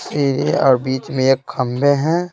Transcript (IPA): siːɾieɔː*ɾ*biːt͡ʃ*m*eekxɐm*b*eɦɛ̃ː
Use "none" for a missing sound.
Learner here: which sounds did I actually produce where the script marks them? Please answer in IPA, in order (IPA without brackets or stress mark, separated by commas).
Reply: ɾ, m, b